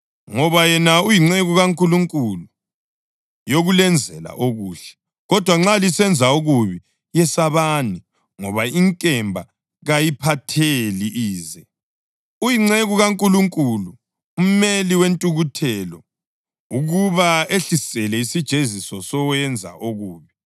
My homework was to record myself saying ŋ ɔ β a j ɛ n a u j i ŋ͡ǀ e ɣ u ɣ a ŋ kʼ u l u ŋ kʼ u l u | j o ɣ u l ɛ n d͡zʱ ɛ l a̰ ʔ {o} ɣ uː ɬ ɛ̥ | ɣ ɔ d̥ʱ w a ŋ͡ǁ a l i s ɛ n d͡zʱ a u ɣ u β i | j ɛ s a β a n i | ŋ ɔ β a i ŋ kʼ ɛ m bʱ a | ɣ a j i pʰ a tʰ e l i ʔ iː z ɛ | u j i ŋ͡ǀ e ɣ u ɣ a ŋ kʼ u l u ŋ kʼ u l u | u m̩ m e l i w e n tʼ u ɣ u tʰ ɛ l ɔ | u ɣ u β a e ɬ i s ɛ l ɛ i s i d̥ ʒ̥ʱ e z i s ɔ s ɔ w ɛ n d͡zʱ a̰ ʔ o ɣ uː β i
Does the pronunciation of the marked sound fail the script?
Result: no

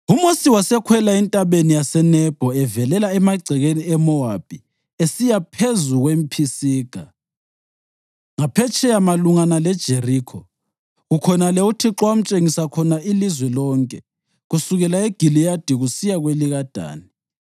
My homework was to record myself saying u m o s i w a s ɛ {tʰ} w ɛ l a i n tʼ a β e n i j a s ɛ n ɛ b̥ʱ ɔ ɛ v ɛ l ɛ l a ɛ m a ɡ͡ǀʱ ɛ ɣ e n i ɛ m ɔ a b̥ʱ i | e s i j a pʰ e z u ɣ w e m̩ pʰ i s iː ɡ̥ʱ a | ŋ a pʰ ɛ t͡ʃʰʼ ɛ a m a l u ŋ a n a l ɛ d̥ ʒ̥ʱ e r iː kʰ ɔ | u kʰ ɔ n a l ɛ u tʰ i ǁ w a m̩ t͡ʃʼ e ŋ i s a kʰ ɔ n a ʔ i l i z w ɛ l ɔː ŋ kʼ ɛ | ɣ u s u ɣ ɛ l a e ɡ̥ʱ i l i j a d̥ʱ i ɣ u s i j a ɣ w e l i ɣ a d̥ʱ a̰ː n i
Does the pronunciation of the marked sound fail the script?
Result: yes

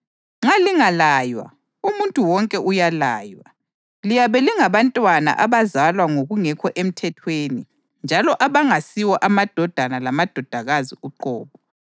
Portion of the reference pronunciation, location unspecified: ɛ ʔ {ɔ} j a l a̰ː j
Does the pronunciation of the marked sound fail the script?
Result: yes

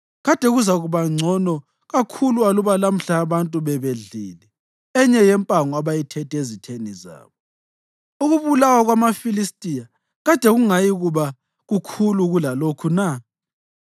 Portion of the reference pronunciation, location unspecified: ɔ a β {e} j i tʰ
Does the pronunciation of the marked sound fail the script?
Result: yes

